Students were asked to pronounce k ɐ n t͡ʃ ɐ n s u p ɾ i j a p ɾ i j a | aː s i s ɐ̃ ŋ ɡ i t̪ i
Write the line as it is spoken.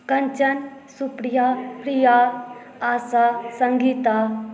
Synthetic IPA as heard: k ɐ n t͡ʃ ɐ n s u p ɾ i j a p ɾ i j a | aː s a s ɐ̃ ŋ ɡ i t̪ a

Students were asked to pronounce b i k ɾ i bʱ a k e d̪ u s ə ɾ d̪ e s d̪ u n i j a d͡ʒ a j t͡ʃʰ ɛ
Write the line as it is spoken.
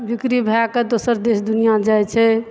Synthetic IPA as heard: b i k ɾ i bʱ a k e d̪ o s ə ɾ d̪ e s d̪ u n i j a d͡ʒ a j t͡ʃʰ ɛ

